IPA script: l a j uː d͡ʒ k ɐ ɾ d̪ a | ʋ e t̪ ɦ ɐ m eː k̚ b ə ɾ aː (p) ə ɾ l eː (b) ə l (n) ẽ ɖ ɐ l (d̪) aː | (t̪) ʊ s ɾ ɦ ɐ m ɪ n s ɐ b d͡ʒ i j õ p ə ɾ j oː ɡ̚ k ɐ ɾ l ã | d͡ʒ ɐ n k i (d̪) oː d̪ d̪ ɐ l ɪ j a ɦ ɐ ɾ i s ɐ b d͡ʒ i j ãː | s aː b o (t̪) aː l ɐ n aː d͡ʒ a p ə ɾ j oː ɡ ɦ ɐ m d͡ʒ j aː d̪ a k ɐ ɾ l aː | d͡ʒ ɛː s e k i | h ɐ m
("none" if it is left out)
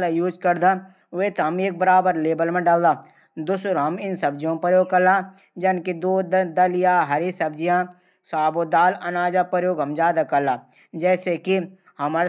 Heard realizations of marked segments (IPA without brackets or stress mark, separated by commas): b, b, m, d̪, d̪, d̪, d̪